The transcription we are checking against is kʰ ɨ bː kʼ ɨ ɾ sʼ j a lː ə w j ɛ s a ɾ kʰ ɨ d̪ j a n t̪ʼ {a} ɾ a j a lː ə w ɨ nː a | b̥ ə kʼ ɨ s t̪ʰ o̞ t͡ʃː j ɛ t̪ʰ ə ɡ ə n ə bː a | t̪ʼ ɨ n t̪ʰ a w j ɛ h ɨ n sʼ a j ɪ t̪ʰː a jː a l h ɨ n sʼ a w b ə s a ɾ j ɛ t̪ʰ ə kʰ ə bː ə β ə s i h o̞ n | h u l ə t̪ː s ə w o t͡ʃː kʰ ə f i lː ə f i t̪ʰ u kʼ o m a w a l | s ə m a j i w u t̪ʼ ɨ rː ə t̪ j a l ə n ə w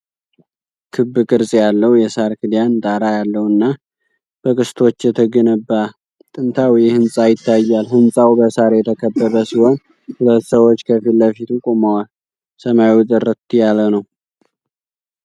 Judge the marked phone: correct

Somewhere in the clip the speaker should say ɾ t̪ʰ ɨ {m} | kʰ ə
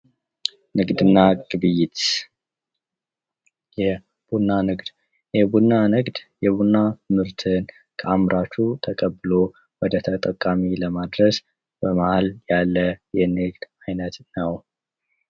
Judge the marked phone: incorrect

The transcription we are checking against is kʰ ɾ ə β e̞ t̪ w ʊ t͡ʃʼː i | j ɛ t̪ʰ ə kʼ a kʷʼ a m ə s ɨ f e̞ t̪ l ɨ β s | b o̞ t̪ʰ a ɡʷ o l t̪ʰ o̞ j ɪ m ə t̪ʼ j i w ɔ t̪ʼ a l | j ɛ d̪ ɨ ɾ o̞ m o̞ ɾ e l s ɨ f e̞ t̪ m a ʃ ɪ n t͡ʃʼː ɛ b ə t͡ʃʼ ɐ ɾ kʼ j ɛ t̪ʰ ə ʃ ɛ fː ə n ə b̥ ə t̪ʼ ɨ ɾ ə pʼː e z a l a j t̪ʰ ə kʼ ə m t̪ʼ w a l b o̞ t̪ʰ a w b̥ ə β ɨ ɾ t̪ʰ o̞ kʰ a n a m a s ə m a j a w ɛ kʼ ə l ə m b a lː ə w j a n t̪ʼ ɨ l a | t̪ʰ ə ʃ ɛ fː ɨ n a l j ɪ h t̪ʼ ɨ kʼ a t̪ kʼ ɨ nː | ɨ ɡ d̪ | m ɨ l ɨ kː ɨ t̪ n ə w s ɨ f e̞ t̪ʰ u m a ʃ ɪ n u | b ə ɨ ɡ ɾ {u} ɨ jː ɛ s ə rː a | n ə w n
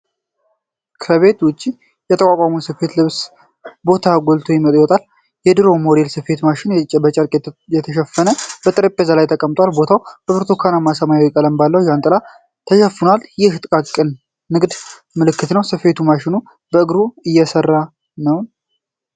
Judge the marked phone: correct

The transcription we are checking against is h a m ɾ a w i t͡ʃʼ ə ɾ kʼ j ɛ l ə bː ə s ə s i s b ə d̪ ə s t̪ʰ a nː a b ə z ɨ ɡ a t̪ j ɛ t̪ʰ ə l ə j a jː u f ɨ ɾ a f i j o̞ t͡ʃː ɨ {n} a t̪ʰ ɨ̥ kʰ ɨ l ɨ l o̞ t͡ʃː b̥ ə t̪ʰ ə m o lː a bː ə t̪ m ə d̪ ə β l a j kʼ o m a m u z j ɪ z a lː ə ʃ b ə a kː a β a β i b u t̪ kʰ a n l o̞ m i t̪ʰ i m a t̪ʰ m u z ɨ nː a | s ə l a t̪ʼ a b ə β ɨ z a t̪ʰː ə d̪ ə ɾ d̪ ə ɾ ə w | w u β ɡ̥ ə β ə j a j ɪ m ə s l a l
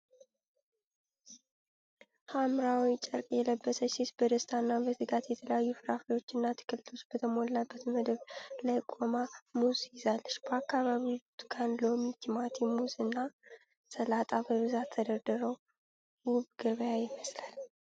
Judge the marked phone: incorrect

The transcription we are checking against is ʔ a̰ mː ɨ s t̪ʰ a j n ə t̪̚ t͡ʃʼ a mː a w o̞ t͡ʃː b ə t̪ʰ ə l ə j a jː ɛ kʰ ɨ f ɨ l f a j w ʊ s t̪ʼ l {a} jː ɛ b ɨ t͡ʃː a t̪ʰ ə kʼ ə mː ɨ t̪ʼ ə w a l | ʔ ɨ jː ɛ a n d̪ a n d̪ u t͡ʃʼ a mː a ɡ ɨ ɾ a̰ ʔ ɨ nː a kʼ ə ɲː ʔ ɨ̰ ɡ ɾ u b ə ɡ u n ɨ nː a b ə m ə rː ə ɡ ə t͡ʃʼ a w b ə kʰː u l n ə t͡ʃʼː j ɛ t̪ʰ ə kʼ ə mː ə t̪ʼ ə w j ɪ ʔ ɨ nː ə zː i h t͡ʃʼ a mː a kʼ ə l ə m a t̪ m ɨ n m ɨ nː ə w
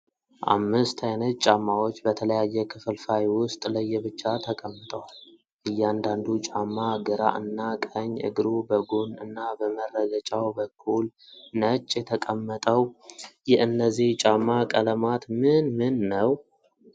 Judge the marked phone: incorrect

